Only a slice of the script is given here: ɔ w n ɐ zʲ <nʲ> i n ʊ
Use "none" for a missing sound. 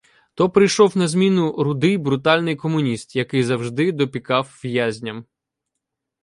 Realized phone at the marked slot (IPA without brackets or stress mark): mʲ